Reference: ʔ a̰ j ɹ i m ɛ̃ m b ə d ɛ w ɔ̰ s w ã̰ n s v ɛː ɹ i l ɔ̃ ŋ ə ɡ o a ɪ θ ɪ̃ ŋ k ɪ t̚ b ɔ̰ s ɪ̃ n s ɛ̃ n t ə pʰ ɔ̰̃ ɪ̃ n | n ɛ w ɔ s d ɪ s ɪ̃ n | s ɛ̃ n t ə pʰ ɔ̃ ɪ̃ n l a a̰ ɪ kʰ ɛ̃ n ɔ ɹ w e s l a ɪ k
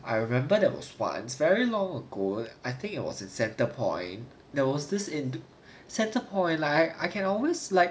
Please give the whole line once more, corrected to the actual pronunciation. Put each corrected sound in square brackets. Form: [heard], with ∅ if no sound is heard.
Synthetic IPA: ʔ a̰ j ɹ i m ɛ̃ m b ə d ɛ w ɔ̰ s w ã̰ n s v [ɛ] ɹ i l ɔ̃ ŋ ə ɡ o a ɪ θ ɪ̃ ŋ k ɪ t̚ [w] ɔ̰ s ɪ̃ n s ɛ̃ n t ə pʰ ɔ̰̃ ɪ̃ n | [d] ɛ w ɔ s d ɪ s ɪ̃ n | s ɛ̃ n t ə pʰ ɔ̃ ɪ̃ n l a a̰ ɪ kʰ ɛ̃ n ɔ [l] w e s l a ɪ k